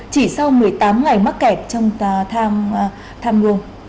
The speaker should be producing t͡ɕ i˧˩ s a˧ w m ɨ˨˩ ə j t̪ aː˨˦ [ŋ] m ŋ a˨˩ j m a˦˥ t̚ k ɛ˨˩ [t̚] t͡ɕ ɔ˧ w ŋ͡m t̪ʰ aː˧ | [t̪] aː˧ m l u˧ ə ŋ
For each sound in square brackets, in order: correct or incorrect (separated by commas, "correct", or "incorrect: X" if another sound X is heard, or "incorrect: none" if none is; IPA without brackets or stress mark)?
incorrect: none, incorrect: p̚, incorrect: t̪ʰ